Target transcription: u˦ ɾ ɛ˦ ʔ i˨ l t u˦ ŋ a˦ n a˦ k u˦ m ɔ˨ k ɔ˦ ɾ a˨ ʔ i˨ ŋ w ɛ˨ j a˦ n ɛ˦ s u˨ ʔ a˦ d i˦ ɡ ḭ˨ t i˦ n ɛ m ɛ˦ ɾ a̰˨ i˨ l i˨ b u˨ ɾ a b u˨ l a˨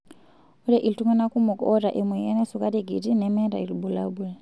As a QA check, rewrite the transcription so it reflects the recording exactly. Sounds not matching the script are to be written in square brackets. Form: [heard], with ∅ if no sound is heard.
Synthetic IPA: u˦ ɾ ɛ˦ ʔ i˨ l t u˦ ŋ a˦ n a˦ k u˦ m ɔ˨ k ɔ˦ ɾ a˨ ʔ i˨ [m] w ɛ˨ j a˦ n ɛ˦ s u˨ [k] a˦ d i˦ ɡ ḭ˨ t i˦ n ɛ m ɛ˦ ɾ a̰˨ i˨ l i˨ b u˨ [l] a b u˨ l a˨

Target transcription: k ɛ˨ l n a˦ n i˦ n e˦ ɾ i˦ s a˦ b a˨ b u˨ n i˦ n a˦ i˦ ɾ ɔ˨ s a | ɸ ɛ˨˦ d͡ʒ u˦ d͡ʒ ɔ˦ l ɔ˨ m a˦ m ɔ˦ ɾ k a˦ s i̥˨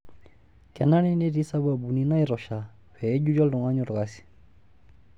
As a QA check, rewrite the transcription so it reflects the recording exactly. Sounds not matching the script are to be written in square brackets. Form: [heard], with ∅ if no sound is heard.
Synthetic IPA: k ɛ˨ [∅] n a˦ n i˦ n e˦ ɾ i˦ s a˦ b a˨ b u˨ n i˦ n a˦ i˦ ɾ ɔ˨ [ʃ] a | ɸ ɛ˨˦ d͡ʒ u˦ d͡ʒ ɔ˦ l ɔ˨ [ŋ] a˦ [ɲ] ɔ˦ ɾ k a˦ s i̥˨

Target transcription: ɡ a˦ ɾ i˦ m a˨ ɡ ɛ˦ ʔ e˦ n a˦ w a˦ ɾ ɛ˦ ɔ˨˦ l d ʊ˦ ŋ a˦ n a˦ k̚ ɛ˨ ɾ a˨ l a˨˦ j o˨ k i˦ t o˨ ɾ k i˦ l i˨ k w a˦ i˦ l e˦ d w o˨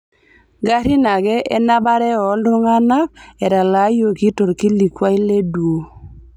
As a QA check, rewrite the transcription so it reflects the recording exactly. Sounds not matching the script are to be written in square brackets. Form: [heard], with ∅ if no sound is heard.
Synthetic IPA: ɡ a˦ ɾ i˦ [n] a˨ ɡ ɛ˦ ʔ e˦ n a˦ [b] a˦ ɾ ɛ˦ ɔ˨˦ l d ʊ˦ ŋ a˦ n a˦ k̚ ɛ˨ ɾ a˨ l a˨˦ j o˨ k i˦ t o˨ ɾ k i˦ l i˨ k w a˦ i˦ l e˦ d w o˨

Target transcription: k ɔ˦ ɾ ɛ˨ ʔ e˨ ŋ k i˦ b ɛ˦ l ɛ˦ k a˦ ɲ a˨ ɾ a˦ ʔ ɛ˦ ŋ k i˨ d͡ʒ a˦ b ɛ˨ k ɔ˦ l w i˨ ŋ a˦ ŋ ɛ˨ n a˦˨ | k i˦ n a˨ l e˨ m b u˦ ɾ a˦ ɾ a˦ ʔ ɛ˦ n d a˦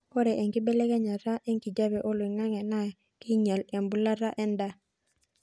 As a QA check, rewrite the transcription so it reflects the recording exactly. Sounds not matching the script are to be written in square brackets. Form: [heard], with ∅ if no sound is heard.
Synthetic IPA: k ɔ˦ ɾ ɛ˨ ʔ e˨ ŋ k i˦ b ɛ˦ l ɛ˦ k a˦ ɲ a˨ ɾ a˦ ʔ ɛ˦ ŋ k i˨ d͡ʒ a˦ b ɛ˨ [ʔ] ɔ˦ l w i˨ ŋ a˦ ŋ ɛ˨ n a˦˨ | k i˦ [ɲ] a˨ l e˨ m b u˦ [l] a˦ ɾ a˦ ʔ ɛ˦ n d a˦

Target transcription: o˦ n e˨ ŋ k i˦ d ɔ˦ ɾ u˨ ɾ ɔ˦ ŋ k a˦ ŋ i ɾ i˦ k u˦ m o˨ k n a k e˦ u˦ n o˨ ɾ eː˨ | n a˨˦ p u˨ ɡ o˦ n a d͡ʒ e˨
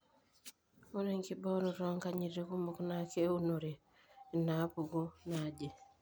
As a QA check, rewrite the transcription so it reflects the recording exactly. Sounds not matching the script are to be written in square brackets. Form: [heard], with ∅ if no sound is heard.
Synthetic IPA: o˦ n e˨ ŋ k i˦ [b] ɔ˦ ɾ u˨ ɾ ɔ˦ ŋ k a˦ [ɲ] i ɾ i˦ k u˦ m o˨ k n a k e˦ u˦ n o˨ ɾ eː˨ | n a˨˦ p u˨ ɡ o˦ n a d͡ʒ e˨

